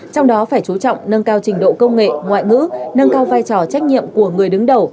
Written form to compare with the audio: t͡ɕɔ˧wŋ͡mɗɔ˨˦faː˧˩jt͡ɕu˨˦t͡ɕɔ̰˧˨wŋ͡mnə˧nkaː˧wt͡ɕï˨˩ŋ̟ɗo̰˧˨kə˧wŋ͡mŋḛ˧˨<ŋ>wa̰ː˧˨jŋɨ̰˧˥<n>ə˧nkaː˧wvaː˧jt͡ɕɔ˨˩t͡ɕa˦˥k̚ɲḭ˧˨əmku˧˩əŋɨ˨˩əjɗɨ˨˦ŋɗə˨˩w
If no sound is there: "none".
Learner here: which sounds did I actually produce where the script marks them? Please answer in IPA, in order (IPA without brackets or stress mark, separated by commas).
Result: ŋ, n